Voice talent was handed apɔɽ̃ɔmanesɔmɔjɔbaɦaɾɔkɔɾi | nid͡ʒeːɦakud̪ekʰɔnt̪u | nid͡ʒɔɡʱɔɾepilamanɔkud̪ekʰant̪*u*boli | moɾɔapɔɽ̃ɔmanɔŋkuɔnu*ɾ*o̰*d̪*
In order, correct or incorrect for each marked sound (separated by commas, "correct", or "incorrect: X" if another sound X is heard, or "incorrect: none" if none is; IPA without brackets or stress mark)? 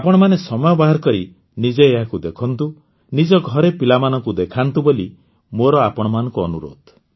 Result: correct, correct, correct